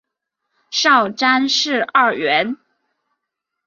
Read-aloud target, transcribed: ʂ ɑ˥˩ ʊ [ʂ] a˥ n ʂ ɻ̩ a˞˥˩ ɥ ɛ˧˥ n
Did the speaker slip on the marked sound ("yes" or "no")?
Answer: yes